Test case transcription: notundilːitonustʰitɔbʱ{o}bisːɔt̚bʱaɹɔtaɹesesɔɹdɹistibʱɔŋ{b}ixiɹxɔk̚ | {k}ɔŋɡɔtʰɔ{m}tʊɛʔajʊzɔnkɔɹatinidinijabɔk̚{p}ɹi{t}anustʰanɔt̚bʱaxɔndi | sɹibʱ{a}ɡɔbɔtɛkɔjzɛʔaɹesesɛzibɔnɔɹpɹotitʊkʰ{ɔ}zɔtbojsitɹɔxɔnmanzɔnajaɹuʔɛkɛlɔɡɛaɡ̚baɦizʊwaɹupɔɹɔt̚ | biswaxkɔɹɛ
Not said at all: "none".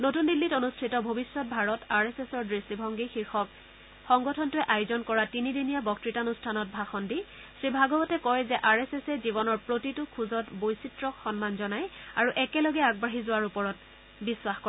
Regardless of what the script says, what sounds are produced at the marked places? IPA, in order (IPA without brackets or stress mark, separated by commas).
o, ɡ, x, n, t, t, a, u